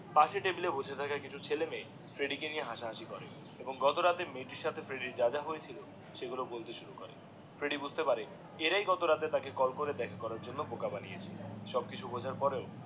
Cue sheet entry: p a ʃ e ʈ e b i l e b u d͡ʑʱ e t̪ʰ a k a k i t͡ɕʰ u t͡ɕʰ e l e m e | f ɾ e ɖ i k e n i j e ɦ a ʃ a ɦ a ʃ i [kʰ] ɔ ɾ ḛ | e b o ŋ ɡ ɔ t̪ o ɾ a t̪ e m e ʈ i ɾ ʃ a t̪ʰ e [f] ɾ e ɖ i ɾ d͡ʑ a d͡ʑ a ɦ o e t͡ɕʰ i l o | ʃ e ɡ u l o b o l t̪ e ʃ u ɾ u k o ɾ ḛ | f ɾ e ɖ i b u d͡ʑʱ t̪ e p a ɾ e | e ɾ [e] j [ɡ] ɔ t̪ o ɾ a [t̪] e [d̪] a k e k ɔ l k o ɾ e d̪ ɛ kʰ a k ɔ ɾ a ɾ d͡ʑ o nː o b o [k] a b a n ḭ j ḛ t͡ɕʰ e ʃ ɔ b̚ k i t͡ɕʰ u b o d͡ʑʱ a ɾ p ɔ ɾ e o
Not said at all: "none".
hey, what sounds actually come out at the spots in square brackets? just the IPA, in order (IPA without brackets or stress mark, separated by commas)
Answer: k, f, a, ɡ, t̪, t̪, k